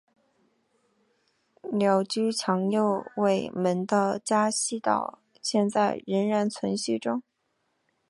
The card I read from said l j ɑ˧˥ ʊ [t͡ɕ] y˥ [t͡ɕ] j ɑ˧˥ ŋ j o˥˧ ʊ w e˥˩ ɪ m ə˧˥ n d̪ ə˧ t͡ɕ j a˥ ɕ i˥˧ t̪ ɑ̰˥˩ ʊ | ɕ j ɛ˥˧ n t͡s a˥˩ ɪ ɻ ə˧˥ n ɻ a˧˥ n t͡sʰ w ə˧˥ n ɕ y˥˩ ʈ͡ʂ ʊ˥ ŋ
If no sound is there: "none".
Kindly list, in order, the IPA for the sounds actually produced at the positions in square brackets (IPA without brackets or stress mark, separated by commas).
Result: t͡ɕ, t͡ɕʰ